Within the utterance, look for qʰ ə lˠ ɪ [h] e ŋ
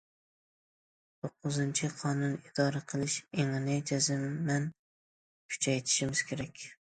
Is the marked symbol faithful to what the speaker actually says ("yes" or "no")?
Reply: no